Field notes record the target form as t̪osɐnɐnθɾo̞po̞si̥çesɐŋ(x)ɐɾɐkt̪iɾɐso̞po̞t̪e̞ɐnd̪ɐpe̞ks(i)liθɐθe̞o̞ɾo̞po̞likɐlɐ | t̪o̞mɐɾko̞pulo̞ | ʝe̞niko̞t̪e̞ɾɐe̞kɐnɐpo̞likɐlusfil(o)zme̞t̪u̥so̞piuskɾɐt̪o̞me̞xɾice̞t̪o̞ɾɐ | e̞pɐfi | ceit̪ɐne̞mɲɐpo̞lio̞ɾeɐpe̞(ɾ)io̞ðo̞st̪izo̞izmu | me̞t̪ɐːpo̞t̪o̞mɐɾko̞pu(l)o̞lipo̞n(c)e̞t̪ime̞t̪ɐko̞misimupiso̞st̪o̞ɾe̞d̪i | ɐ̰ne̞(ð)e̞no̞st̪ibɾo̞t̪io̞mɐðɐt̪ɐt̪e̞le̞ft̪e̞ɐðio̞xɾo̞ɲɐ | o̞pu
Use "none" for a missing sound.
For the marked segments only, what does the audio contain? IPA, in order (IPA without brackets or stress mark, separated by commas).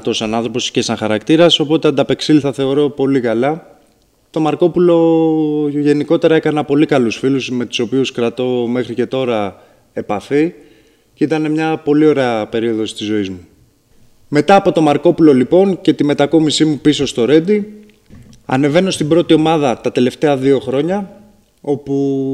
x, i, u, ɾ, l, c, v